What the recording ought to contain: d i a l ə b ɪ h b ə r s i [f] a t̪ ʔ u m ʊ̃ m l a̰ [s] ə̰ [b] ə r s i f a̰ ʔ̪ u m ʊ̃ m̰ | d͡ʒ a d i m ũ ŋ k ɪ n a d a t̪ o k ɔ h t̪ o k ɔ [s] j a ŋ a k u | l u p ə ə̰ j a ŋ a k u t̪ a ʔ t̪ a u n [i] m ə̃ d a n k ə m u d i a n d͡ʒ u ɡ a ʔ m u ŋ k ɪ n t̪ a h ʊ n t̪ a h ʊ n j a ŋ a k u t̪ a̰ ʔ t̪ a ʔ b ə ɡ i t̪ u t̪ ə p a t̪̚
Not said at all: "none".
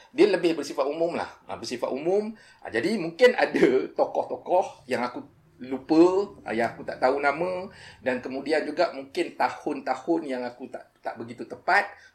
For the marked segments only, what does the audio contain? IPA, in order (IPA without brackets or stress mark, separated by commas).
f, h, b, h, a